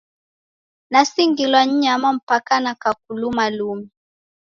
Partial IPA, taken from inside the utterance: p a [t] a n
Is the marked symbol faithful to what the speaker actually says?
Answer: no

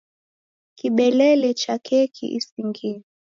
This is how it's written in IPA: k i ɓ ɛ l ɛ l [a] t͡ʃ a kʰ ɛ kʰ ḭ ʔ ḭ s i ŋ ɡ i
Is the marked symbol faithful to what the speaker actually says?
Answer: no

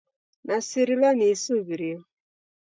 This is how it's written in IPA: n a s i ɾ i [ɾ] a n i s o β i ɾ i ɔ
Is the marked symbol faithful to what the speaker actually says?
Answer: no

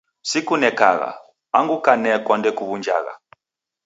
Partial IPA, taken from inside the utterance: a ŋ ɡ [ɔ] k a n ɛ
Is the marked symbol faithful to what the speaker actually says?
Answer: no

